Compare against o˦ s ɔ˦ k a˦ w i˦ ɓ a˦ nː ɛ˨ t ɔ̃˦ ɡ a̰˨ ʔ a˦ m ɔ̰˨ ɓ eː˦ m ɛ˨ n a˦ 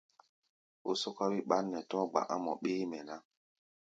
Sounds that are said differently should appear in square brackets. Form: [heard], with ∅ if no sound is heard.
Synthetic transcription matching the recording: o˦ s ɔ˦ k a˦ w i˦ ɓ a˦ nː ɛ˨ t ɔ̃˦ [ɡ͡b] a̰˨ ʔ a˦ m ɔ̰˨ ɓ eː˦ m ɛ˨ n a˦

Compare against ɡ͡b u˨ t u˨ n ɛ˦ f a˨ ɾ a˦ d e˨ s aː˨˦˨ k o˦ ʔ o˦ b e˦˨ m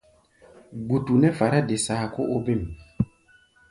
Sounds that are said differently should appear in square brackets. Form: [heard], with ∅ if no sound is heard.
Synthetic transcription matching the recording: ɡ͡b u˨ t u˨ n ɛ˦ f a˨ ɾ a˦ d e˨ s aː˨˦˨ k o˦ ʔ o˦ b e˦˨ m

